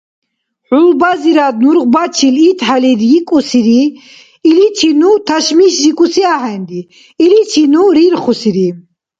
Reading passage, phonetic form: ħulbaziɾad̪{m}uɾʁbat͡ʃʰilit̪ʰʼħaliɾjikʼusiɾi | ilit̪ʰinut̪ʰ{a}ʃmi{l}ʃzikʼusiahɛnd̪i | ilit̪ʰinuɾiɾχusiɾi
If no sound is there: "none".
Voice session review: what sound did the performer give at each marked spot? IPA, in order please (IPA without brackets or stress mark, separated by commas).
n, a, none